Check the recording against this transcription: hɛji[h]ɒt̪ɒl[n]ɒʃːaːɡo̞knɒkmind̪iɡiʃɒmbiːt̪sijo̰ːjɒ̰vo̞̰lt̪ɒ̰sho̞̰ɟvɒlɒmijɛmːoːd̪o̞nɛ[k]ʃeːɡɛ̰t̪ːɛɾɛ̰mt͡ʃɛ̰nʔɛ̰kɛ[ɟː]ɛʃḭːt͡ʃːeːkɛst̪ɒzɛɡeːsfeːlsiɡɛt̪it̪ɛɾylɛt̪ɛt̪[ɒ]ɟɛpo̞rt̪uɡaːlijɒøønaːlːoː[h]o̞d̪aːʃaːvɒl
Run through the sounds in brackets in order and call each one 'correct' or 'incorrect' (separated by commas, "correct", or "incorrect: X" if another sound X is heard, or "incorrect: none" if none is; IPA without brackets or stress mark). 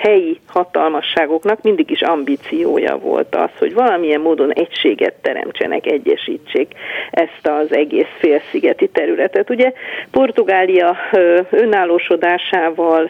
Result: correct, incorrect: m, incorrect: c, correct, incorrect: u, incorrect: ʃ